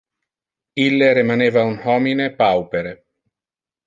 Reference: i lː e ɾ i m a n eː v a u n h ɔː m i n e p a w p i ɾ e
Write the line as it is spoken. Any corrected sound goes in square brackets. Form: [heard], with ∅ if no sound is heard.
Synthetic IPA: i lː e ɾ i m a n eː v a u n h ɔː m i n e p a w p [e] ɾ e